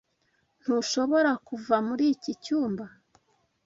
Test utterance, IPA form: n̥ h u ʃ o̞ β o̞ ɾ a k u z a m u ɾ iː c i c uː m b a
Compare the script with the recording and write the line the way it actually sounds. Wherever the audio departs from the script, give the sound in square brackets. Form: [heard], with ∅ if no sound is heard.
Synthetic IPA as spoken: n̥ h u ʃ o̞ β o̞ ɾ a k u [v] a m u ɾ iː c i c uː m b a